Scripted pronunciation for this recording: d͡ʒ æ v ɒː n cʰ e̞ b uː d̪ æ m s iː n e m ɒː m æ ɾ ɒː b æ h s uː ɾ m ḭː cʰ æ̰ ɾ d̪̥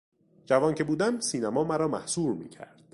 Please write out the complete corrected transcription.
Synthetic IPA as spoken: d͡ʒ æ v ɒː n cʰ e̞ b uː d̪ æ m s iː n æ m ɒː m æ ɾ ɒː m æ h s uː ɾ m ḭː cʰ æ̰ ɾ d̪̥